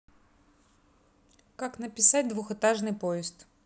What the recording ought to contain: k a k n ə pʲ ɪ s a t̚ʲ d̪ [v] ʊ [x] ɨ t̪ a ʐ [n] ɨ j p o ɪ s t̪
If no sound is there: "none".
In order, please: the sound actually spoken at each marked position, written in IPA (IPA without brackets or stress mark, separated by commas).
v, x, n